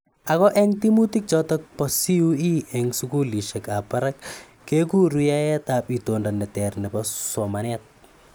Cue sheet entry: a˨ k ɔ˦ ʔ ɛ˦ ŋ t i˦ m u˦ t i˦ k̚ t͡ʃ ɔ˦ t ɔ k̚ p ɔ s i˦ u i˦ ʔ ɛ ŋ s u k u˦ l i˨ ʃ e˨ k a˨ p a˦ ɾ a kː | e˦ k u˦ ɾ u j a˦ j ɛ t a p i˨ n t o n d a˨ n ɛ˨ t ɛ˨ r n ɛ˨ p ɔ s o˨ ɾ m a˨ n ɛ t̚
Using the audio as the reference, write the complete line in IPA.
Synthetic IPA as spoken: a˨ k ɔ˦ ʔ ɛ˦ ŋ t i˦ m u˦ t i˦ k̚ t͡ʃ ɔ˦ t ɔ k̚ p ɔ s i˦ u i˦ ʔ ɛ ŋ s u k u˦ l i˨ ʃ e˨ k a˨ p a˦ ɾ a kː | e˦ k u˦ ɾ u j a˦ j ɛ t a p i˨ t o n d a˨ n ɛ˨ t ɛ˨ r n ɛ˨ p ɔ s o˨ m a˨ n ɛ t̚